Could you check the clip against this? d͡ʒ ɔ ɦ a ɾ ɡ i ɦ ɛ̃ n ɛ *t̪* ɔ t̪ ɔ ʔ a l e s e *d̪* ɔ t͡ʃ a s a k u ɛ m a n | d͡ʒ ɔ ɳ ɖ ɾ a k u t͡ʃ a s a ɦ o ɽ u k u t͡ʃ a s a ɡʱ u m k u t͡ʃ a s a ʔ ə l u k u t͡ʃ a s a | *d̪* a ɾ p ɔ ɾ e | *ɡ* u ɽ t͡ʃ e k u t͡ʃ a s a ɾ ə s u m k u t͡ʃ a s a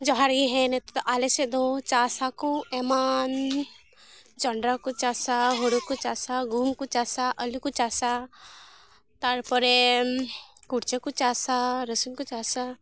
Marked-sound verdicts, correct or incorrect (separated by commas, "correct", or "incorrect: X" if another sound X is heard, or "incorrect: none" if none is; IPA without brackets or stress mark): correct, correct, incorrect: t̪, incorrect: k